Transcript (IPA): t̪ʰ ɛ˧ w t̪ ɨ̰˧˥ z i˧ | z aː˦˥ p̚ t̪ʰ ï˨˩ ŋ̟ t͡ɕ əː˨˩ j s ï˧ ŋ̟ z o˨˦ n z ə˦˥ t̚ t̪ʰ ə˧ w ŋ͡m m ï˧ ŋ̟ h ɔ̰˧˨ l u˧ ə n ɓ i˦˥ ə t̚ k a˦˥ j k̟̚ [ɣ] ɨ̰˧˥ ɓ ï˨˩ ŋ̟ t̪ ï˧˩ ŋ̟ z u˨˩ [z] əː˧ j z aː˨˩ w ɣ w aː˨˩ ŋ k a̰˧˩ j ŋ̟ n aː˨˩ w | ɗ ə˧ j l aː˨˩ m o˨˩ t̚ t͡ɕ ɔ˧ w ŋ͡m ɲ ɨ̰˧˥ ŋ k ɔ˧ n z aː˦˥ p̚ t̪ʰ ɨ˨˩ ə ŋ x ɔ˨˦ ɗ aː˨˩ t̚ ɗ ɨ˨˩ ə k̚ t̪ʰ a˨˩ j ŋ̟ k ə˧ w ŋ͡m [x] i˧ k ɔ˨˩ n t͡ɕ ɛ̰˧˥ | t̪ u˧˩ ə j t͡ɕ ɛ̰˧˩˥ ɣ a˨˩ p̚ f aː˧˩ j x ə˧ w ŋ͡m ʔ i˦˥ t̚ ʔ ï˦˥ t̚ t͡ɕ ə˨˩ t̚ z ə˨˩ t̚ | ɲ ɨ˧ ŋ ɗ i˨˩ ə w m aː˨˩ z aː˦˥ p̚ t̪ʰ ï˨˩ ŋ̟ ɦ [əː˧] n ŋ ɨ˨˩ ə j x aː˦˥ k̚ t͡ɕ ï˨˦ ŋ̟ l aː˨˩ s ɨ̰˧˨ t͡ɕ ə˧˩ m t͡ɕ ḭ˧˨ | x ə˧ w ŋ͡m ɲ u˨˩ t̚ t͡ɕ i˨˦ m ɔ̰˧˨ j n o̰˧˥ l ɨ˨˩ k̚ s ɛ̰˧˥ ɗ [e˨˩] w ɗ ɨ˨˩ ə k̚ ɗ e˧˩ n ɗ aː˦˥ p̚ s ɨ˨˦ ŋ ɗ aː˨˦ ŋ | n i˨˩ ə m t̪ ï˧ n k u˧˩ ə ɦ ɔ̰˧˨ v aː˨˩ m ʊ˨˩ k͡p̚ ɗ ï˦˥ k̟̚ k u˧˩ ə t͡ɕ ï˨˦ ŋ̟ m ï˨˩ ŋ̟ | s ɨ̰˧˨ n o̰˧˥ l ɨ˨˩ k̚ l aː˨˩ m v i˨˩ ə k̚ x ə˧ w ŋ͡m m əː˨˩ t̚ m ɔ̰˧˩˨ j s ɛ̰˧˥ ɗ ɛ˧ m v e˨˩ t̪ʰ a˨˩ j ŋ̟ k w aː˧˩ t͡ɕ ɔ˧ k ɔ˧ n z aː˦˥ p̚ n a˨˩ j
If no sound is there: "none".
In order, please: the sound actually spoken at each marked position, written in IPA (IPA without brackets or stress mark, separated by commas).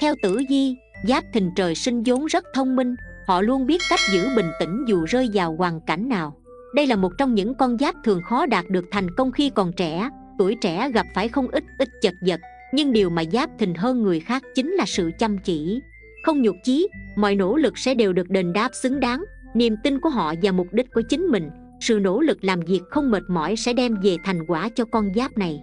z, z, x, əː˧, e˨˩